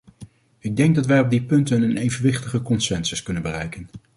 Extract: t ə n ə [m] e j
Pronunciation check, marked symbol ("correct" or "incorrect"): incorrect